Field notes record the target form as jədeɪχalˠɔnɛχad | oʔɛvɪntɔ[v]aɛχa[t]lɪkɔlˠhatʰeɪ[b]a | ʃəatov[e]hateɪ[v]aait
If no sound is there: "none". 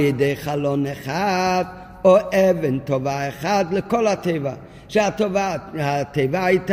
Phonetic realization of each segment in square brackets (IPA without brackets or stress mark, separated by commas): v, d, v, a, v